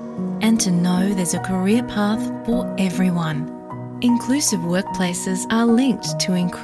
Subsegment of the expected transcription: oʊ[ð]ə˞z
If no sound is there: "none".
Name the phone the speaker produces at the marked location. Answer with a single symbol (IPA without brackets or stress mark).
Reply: ð